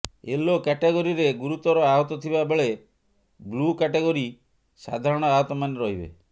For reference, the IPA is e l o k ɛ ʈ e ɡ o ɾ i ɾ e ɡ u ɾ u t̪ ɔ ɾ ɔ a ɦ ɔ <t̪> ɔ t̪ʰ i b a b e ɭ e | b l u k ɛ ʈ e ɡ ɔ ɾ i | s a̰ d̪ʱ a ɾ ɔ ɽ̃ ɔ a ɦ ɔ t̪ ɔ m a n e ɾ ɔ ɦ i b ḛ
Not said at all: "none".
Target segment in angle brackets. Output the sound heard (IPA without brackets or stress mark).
t̪